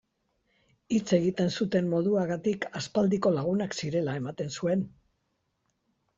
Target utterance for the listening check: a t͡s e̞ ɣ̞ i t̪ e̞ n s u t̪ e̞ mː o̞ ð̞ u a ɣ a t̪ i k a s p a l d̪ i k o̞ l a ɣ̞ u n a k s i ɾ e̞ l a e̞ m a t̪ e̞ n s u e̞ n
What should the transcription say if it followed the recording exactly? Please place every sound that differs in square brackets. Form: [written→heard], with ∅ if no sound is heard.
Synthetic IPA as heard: [a→i] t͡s e̞ ɣ̞ i t̪ e̞ n s u t̪ e̞ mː o̞ ð̞ u a ɣ a t̪ i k a s p a l d̪ i k o̞ l a ɣ̞ u n a k s i ɾ e̞ l a e̞ m a t̪ e̞ n s u e̞ n